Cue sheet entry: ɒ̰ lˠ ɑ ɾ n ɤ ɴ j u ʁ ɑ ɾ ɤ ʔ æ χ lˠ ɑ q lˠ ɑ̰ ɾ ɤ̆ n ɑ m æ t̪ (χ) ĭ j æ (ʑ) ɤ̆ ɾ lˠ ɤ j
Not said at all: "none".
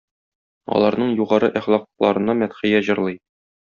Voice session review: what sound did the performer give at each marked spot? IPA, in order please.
χ, ʑ

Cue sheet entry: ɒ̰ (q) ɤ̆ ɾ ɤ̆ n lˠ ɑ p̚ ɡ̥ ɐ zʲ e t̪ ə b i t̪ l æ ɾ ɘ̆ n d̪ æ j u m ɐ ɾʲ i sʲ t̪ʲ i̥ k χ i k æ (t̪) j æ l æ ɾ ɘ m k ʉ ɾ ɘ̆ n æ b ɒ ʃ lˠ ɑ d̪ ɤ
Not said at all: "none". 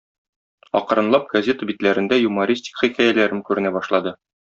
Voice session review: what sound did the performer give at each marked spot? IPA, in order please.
q, none

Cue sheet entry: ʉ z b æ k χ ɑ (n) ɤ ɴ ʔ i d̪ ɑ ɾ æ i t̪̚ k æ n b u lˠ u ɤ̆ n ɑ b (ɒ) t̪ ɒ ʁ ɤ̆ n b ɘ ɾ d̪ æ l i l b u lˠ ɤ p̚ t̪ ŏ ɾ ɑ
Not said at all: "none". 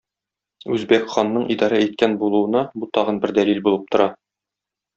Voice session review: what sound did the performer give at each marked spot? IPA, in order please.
nː, u

